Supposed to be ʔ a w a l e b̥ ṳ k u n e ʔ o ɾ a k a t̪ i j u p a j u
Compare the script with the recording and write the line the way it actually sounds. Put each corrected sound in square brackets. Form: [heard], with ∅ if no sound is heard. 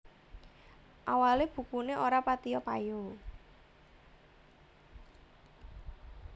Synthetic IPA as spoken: ʔ a w a l e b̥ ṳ k u n e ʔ o ɾ a [p] a t̪ i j [ɔ] p a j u